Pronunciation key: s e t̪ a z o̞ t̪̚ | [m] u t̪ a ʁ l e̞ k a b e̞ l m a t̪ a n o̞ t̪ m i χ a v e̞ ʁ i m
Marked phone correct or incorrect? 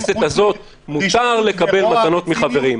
correct